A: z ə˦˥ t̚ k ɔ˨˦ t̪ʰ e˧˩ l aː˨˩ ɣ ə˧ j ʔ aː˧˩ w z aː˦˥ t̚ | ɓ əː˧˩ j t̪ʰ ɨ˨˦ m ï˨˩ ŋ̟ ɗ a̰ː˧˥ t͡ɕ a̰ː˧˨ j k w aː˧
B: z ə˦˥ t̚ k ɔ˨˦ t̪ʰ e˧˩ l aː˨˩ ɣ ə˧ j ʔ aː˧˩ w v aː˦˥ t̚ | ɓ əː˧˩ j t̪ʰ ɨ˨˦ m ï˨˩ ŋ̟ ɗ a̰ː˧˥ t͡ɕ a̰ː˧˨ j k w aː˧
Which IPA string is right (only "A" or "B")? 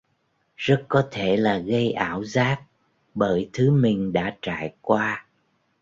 A